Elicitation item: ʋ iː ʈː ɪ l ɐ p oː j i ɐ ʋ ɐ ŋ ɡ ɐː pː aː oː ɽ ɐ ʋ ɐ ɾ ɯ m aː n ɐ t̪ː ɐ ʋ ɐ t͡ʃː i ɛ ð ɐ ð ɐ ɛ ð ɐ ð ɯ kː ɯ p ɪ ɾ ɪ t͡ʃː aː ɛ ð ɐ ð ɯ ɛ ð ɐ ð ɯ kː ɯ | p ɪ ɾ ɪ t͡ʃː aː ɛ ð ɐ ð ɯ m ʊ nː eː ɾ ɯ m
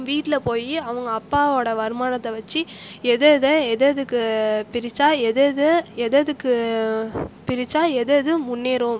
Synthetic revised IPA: ʋ iː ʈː ɪ l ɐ p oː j i ɐ ʋ ɐ ŋ ɡ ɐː pː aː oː ɽ ɐ ʋ ɐ ɾ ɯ m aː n ɐ t̪ː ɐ ʋ ɐ t͡ʃː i ɛ ð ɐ ð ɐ ɛ ð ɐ ð ɯ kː ɯ p ɪ ɾ ɪ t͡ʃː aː ɛ ð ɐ ð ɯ ɛ ð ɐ ð ɯ kː ɯ | p ɪ ɾ ɪ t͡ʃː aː ɛ ð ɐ ð ɯ m ʊ nː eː ɾ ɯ m